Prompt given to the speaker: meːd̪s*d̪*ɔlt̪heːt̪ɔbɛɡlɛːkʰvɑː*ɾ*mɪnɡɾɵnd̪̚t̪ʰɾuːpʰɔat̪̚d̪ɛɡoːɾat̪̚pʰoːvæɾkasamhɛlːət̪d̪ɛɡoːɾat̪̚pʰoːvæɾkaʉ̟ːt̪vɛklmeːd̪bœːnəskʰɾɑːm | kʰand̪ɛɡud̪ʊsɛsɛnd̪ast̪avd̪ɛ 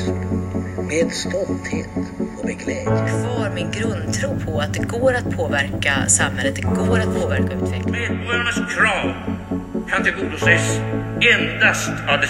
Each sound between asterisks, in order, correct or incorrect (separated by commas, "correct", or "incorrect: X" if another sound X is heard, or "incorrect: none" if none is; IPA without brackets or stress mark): incorrect: t̪, correct